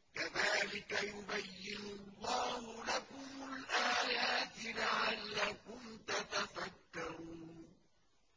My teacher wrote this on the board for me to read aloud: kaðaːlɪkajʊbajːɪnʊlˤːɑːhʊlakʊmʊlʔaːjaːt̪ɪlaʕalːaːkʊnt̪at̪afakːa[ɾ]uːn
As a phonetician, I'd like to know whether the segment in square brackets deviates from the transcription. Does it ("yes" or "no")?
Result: no